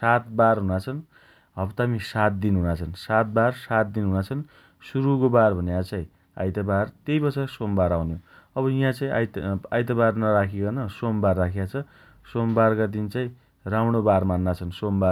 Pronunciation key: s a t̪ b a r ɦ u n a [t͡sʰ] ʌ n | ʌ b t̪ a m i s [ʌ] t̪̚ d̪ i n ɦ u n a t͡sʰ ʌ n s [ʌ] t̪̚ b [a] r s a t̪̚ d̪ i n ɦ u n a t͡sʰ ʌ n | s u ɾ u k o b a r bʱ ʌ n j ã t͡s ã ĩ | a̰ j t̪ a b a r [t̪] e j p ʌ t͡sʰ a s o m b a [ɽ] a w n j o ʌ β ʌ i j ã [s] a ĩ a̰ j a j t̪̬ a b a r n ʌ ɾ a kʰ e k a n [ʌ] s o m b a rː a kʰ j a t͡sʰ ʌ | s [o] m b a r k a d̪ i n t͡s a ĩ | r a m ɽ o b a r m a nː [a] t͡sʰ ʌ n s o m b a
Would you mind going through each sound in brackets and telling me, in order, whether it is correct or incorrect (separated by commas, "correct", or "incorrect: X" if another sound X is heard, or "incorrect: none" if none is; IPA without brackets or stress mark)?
correct, incorrect: a, incorrect: a, correct, correct, incorrect: ɾ, incorrect: t͡s, correct, correct, correct